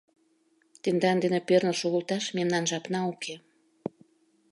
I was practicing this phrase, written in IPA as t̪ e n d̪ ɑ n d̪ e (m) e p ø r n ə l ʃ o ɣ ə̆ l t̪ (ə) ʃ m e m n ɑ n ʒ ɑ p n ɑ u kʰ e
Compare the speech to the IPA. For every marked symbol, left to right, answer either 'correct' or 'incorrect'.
incorrect, incorrect

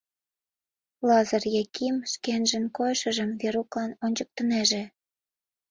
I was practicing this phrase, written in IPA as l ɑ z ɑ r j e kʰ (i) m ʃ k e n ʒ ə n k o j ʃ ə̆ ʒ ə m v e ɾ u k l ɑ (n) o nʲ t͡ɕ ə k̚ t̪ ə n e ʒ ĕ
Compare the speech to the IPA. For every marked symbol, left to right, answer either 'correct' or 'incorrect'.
correct, correct

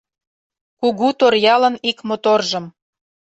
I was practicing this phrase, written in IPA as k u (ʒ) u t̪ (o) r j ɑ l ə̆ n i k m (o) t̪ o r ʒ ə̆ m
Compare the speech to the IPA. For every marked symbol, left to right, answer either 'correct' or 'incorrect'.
incorrect, correct, correct

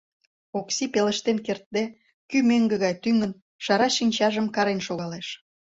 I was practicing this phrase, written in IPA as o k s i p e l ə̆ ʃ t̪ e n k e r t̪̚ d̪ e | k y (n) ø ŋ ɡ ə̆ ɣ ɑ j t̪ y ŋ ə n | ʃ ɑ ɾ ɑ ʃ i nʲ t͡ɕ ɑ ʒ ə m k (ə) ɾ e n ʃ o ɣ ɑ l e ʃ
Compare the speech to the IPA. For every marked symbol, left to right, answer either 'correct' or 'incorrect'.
incorrect, incorrect

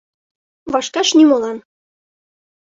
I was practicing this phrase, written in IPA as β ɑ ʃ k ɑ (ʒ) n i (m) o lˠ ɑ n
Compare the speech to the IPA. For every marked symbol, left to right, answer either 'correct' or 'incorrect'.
incorrect, correct

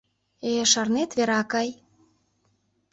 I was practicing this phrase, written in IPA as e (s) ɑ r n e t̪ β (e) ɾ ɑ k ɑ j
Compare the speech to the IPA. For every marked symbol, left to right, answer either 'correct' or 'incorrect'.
incorrect, correct

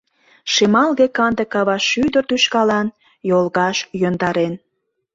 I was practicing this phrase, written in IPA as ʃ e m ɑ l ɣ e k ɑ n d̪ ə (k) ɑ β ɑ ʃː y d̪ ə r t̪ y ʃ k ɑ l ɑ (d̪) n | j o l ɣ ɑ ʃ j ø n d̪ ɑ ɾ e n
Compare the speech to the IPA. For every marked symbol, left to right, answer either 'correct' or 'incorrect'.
correct, incorrect

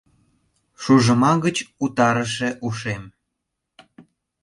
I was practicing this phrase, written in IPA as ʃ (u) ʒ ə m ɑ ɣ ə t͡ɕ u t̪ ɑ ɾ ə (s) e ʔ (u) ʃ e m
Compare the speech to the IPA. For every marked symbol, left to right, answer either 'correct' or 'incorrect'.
correct, incorrect, correct

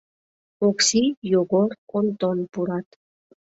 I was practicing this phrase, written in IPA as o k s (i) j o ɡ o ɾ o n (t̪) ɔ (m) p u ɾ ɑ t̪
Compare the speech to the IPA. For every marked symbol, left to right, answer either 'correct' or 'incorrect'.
correct, correct, incorrect

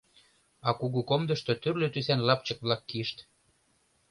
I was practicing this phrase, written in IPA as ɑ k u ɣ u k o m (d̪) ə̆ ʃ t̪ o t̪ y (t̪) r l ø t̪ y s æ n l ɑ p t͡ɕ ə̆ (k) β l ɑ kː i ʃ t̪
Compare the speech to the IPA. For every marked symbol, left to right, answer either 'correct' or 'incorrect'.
correct, incorrect, correct

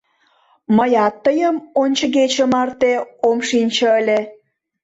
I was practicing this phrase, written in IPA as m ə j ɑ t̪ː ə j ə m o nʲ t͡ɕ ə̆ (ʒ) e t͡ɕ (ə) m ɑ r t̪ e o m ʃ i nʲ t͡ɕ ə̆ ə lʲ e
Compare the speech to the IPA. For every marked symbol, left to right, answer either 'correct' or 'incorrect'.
incorrect, correct

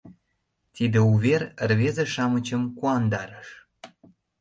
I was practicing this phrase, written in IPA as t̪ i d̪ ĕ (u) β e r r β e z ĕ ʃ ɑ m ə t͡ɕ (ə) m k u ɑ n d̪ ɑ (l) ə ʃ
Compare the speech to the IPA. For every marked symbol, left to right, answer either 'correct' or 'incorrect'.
correct, correct, incorrect

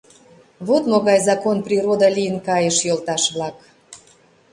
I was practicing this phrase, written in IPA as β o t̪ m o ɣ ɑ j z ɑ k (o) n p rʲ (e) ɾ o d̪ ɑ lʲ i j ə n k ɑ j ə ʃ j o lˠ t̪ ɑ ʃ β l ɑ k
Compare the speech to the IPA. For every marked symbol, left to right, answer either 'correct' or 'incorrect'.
correct, incorrect

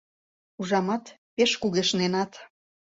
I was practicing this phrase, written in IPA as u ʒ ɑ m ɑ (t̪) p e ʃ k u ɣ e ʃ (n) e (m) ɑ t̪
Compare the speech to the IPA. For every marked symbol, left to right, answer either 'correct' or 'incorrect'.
correct, correct, incorrect

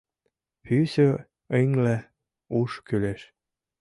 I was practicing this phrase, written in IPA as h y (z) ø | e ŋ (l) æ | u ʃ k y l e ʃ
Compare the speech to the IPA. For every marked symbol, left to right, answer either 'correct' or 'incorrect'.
incorrect, correct

